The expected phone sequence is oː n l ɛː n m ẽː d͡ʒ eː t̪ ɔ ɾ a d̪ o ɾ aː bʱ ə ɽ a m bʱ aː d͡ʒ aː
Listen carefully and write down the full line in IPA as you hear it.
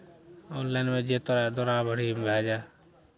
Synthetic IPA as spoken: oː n l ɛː n m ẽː d͡ʒ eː t̪ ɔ ɾ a d̪ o ɾ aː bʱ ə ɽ i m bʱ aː d͡ʒ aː